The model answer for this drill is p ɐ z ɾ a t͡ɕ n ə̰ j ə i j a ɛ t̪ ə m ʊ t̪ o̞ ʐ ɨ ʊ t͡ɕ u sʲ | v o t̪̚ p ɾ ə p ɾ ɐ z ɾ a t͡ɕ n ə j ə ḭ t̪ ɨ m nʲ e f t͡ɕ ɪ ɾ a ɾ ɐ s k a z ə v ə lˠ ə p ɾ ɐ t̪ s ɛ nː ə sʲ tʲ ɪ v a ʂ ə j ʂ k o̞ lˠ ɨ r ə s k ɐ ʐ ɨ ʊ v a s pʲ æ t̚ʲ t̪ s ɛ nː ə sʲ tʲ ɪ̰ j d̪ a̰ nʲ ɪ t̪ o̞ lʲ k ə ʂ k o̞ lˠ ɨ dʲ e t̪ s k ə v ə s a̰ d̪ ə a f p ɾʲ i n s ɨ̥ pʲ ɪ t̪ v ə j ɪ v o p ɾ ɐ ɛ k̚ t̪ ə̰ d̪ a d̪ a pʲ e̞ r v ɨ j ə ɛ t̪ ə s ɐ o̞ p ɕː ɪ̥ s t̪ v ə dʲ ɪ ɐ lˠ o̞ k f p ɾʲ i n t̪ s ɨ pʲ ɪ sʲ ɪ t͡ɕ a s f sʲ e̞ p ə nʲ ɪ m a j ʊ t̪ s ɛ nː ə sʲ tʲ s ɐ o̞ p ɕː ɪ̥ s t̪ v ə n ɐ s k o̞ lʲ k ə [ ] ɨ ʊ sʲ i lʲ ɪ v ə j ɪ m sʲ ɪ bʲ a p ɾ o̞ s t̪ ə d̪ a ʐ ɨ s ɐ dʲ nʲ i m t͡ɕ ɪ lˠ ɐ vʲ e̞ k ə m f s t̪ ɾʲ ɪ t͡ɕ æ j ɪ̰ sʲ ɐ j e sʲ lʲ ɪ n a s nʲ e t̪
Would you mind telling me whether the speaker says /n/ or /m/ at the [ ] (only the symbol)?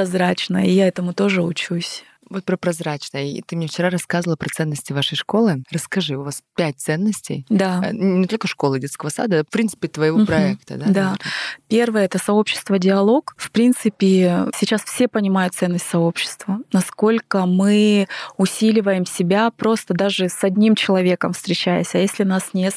m